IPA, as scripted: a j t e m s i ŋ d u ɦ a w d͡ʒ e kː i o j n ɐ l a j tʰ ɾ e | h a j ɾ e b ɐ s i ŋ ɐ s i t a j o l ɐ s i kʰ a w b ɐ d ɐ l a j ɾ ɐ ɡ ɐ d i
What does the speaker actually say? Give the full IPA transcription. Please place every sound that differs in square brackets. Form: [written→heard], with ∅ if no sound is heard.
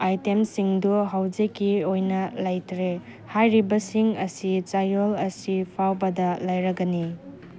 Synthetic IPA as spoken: a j t e m s i ŋ d u ɦ a w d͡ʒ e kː i o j n ɐ l a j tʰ ɾ e | h a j ɾ [e→i] b ɐ s i ŋ ɐ s i [t→t͡ʃ] a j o l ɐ s i [kʰ→pʰ] a w b ɐ d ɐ l a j ɾ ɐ ɡ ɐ [d→n] i